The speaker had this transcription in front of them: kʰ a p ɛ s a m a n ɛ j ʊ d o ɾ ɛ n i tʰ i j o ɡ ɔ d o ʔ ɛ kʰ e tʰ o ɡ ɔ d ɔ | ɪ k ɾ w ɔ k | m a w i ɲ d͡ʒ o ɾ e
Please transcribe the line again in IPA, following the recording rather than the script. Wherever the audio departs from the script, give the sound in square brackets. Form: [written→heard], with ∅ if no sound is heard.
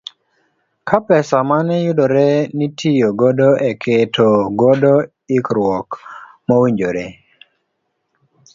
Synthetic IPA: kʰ a p ɛ s a m a n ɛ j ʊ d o ɾ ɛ n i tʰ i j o ɡ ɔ d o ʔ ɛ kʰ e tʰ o ɡ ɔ d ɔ | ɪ k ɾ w ɔ k | m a w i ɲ d͡ʒ o ɾ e